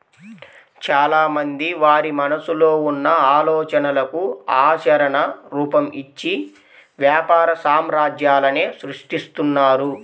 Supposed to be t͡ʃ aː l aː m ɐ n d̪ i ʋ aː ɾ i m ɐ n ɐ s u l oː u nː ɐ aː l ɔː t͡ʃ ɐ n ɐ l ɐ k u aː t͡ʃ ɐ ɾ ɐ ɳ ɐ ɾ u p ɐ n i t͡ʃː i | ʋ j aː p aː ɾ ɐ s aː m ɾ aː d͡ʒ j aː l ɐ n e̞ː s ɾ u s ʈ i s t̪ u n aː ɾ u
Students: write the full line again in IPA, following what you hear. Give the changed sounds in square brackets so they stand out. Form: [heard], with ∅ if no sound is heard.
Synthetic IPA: t͡ʃ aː l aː m ɐ n d̪ i ʋ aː ɾ i m ɐ n ɐ s u l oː u nː ɐ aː l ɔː t͡ʃ ɐ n ɐ l ɐ k u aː t͡ʃ ɐ ɾ ɐ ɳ ɐ ɾ [uː] p ɐ [m] i t͡ʃː i | ʋ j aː p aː ɾ ɐ s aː m ɾ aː d͡ʒ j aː l ɐ n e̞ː s ɾ u [ʂ] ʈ i s t̪ u [nː] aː ɾ u